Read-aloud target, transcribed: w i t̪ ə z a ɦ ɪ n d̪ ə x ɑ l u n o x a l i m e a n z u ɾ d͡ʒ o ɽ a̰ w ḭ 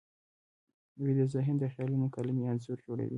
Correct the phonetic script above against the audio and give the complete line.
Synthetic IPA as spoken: w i d̪ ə z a ɦ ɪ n d̪ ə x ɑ l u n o k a l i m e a n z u ɾ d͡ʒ o ɽ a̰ w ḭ